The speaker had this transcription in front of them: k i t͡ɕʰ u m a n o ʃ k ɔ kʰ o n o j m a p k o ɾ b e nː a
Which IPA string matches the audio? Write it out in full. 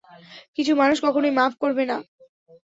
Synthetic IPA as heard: k i t͡ɕʰ u m a n u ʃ k ɔ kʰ o n o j m a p k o ɾ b e n a